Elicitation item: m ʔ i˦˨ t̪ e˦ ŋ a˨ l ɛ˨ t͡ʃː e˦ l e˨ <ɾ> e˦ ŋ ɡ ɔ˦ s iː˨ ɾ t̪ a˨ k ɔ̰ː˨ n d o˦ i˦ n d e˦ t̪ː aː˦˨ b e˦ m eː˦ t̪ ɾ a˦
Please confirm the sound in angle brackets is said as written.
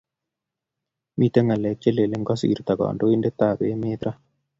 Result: no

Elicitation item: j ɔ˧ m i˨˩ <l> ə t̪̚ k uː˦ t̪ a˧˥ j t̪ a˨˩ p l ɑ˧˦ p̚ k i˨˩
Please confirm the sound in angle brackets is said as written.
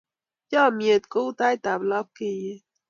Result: no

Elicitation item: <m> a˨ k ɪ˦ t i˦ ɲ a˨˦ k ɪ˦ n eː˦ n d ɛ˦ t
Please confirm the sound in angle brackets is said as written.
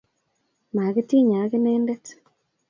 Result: yes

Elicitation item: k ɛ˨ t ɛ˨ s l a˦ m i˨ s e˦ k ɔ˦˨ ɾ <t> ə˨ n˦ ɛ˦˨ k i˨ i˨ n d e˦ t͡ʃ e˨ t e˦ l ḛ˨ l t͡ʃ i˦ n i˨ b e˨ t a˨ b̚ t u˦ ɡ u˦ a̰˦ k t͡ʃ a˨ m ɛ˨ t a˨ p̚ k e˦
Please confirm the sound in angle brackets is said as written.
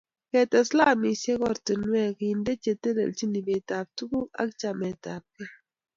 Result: yes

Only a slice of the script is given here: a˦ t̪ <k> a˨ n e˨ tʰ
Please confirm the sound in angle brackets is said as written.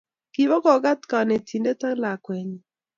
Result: yes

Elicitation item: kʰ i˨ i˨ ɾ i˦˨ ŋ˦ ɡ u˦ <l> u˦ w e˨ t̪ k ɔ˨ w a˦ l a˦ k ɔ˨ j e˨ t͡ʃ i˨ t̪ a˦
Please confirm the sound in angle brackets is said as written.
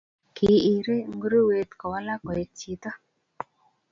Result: no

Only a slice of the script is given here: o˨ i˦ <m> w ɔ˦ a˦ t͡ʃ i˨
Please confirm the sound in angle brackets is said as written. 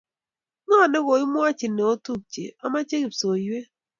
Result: yes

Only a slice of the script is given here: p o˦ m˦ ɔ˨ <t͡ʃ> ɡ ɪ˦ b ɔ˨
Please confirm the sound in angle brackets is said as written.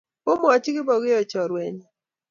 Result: yes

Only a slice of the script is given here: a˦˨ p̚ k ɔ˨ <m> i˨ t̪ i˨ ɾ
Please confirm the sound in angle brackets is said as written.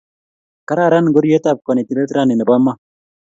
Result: no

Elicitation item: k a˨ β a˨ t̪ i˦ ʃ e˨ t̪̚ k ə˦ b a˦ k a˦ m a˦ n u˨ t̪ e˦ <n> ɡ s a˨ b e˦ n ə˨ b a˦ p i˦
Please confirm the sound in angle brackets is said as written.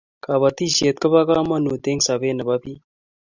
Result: no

